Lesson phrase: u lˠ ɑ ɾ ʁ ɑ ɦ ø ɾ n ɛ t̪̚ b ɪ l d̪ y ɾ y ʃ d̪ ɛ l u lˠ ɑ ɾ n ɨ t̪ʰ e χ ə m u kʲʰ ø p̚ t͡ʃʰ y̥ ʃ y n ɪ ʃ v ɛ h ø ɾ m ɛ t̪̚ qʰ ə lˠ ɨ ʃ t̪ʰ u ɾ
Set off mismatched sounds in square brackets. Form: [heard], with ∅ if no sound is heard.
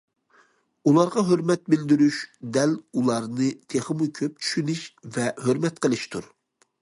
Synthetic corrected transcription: u lˠ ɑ ɾ ʁ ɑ ɦ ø ɾ [m] ɛ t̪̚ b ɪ l d̪ y ɾ y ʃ d̪ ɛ l u lˠ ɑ ɾ n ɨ t̪ʰ e χ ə m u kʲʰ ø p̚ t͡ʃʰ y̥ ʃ y n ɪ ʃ v ɛ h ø ɾ m ɛ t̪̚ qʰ ə lˠ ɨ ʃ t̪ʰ u ɾ